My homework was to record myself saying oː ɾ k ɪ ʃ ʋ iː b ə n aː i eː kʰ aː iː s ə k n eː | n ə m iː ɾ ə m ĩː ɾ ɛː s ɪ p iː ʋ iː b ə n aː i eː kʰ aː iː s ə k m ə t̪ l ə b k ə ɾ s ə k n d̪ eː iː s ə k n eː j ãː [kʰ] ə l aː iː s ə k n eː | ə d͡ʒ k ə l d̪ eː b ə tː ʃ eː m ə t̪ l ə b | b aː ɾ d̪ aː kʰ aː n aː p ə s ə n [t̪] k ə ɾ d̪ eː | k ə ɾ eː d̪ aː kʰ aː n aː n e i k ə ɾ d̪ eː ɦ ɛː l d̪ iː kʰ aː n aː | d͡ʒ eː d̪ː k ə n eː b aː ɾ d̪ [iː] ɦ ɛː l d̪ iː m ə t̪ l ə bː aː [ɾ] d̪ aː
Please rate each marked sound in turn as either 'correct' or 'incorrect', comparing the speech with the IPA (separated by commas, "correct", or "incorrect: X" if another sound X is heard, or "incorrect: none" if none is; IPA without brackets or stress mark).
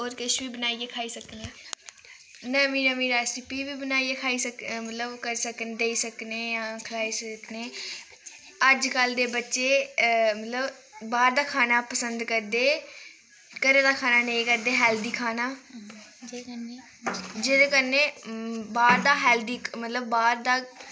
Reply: correct, incorrect: d̪, incorrect: aː, correct